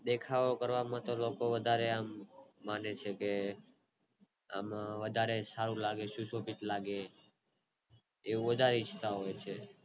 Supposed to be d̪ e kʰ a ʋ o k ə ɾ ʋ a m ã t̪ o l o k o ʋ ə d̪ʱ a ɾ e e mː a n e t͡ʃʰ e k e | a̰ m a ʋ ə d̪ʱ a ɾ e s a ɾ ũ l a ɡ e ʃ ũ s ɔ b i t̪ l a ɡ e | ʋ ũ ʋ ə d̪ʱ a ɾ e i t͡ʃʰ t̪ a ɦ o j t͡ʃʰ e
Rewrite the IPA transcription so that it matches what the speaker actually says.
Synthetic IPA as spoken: d̪ e kʰ a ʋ o k ə ɾ ʋ a m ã t̪ o l o k o ʋ ə d̪ʱ a ɾ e a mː a n e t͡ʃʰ e k e | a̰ m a ʋ ə d̪ʱ a ɾ e s a ɾ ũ l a ɡ e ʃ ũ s o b i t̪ l a ɡ e | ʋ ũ ʋ ə d̪ʱ a ɾ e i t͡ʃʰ t̪ a ɦ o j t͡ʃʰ e